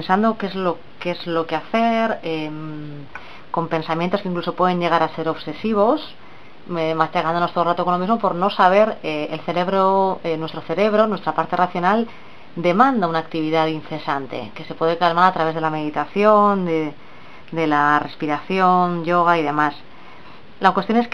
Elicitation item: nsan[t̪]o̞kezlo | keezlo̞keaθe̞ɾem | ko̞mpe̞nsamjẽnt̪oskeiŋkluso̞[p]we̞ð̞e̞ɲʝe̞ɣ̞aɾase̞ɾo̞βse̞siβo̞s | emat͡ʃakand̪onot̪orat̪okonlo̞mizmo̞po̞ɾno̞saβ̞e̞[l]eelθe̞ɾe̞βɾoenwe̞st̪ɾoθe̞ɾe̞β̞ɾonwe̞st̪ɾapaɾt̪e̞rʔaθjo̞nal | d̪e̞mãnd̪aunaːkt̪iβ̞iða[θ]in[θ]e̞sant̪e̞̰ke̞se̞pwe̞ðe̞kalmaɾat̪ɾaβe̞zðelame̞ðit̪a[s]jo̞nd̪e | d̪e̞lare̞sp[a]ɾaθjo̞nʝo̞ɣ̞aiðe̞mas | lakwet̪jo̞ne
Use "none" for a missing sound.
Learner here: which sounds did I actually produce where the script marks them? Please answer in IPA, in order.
d̪, p, ɾ, ð, θ, θ, i

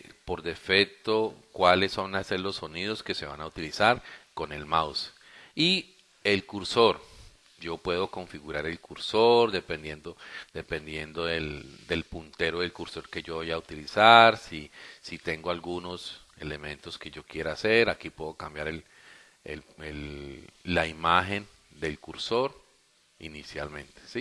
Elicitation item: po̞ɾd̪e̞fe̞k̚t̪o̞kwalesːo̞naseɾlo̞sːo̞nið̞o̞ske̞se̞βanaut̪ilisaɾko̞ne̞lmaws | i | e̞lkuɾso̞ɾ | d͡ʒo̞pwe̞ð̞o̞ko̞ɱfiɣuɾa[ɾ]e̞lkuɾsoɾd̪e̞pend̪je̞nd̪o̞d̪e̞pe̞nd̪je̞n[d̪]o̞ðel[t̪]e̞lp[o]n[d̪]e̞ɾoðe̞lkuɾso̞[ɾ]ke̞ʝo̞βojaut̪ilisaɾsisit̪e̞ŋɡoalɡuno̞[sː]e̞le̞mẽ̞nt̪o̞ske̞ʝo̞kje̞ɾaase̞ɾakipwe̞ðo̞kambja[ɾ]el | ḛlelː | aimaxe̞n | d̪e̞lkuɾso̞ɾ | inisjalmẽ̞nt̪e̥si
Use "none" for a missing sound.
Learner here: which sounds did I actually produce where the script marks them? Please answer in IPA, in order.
ɾ, d̪, d̪, u, t̪, ɾ, s, ɾ

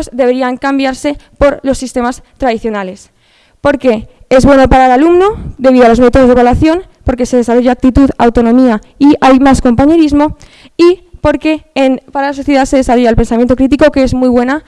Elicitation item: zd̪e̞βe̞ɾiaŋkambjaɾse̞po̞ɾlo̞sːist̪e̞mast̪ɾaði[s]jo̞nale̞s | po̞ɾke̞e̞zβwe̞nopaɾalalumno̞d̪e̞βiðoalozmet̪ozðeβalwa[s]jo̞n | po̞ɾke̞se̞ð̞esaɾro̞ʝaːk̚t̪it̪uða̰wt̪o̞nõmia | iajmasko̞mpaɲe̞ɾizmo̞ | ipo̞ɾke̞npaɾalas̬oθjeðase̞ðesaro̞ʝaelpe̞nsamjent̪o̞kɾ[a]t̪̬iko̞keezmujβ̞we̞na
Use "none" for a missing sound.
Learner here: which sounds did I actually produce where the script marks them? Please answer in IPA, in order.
θ, θ, i

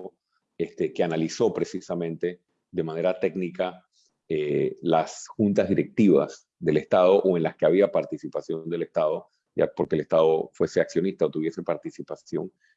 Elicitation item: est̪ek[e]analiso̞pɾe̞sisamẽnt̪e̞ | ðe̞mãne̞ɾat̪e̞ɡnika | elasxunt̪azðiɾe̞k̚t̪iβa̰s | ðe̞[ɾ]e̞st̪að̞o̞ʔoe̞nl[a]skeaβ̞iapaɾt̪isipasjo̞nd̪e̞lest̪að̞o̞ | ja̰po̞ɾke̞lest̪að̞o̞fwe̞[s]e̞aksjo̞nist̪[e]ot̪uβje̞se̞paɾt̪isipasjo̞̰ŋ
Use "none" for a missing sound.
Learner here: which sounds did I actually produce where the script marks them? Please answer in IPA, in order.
e, l, a, s, a

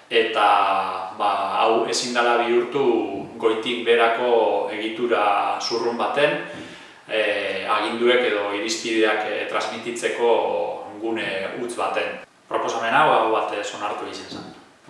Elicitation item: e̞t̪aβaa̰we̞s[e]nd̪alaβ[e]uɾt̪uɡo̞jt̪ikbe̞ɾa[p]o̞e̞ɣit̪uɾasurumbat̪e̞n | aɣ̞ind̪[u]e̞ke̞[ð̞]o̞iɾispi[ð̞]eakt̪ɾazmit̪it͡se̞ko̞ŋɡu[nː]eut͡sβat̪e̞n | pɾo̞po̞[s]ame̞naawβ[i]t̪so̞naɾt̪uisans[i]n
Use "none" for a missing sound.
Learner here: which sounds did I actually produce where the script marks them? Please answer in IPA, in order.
i, i, k, u, ð̞, ð̞, n, s, a, a

